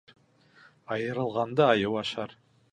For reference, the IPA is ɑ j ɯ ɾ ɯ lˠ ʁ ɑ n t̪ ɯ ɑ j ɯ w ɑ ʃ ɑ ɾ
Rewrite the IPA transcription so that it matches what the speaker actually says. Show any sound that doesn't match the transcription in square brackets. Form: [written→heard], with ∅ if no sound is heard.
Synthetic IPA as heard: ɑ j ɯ ɾ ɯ lˠ ʁ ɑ n [t̪→d̪] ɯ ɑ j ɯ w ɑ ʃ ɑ ɾ